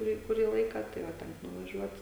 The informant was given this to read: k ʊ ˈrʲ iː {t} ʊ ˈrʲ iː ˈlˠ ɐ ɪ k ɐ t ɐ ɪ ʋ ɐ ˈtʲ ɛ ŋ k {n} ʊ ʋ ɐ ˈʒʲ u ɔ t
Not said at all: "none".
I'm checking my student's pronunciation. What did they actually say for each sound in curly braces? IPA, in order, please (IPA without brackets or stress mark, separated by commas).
k, n